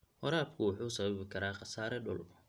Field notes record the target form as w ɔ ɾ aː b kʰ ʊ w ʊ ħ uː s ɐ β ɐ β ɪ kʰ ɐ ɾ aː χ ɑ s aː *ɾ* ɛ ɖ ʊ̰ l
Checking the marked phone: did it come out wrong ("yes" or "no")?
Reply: no